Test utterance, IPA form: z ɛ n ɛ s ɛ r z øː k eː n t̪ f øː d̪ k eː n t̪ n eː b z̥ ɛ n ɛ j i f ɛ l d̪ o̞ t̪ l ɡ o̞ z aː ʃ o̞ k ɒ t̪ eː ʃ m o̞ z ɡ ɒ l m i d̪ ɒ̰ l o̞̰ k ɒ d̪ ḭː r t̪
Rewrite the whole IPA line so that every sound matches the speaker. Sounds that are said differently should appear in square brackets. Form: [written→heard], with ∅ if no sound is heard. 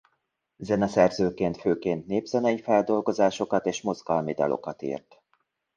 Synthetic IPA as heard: z ɛ n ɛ s ɛ r z øː k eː n t̪ f øː [d̪→∅] k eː n t̪ n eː b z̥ ɛ n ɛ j i f ɛ l d̪ o̞ [t̪→∅] l ɡ o̞ z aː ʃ o̞ k ɒ t̪ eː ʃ m o̞ z ɡ ɒ l m i d̪ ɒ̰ l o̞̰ k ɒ [d̪→t̪] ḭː r t̪